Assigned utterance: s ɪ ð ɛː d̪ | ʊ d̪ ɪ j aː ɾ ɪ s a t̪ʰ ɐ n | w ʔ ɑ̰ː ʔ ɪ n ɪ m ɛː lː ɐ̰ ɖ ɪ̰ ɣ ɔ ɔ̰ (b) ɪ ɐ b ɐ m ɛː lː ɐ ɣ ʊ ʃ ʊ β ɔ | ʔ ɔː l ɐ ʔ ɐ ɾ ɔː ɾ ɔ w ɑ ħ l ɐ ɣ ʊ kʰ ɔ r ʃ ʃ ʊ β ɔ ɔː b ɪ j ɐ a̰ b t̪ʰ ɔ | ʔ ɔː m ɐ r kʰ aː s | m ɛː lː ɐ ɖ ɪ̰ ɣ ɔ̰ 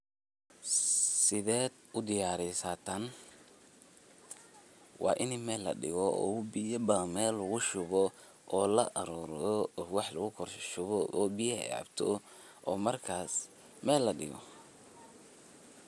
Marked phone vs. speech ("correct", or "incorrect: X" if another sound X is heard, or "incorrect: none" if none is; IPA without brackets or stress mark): correct